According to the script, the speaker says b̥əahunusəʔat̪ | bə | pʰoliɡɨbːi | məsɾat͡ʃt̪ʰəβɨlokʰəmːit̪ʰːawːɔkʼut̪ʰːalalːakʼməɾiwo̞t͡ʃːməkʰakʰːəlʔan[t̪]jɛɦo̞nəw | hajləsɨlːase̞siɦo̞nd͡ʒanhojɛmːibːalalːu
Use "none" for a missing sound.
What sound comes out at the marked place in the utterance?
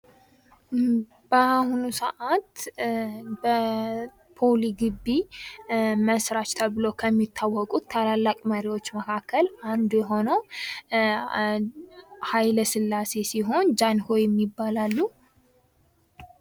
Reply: d̪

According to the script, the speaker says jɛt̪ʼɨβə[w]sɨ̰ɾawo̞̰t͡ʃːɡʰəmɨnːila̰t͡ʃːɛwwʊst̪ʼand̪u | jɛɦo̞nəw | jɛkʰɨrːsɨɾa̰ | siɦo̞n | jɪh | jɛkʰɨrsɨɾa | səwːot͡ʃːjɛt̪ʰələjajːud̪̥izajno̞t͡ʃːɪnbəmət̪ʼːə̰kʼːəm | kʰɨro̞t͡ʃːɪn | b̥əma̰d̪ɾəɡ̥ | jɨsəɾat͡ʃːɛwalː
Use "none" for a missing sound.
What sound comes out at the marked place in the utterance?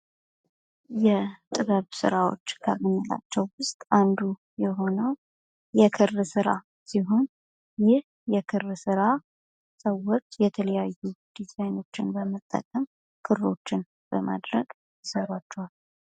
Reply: β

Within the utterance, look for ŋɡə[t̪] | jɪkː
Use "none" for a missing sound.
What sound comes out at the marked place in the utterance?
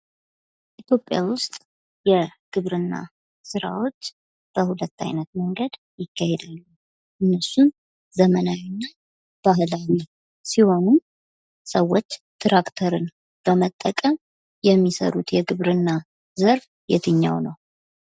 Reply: d̪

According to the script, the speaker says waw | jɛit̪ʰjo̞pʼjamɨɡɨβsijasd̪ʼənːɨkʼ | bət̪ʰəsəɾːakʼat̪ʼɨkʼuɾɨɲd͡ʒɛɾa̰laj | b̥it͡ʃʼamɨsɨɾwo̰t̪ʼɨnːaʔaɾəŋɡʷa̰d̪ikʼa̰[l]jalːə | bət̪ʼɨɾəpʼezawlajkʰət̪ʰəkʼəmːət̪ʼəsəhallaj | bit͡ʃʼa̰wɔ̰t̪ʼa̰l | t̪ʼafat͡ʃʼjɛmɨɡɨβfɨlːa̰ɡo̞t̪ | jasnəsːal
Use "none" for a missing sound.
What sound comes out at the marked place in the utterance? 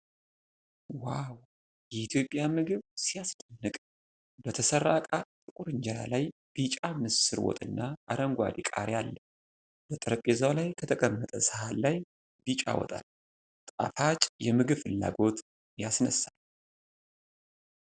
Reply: ɾ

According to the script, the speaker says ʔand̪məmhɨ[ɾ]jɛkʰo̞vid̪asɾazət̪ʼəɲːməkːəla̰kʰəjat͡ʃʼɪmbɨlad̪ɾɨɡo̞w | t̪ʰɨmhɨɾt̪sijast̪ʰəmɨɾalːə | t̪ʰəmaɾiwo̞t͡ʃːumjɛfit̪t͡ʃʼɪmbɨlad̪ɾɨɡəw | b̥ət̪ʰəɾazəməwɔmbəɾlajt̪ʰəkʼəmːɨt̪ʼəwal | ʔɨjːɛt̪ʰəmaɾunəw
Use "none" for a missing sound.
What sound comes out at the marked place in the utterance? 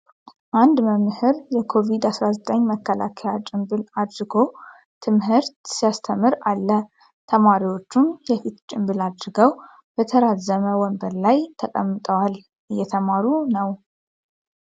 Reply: ɾ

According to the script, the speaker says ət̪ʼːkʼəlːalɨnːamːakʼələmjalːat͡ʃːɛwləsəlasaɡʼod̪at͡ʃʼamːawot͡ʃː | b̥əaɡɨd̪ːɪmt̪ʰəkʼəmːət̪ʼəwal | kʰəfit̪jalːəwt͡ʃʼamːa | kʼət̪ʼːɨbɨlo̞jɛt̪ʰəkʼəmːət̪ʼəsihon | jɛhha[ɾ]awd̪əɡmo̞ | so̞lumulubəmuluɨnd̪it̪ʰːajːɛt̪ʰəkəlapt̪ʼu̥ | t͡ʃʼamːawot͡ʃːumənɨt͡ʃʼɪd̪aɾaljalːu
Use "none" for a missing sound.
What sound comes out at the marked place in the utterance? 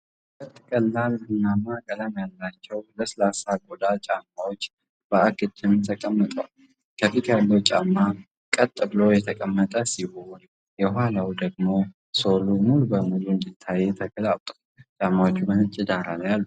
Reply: l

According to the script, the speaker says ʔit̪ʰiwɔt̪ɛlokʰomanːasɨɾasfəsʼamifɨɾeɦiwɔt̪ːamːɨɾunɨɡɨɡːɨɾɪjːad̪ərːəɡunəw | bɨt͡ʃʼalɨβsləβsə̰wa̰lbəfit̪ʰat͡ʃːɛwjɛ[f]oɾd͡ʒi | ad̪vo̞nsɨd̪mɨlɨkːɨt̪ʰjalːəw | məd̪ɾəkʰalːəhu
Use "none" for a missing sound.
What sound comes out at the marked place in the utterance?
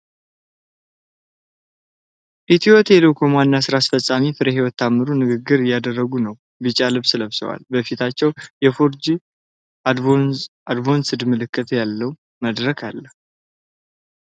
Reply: f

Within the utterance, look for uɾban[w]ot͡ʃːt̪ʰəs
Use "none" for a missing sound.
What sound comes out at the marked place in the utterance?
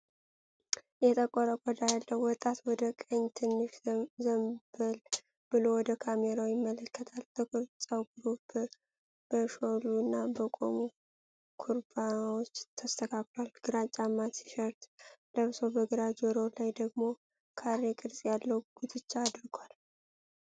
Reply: w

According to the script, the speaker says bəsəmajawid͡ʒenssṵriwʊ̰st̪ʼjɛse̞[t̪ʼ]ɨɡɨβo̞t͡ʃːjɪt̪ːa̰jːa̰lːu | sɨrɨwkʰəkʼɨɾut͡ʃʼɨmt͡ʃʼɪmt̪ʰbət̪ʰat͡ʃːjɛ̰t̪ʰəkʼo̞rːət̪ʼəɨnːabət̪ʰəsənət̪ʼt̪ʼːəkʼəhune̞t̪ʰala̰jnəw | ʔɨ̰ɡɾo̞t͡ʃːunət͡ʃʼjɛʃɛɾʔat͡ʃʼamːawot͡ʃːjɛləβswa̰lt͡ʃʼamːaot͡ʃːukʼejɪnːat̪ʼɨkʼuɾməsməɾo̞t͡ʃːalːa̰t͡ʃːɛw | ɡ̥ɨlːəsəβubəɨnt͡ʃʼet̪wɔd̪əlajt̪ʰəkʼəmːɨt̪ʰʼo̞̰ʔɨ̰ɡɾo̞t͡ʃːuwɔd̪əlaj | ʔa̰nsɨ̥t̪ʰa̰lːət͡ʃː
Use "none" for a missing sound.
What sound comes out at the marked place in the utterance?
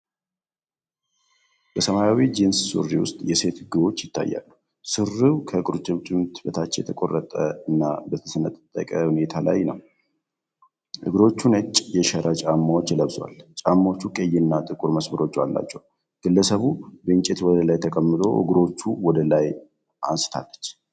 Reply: t̪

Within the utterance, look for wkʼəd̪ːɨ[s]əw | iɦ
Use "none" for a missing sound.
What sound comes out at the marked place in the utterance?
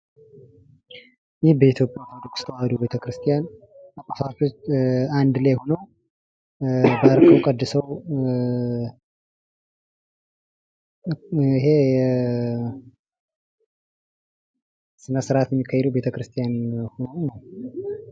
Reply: s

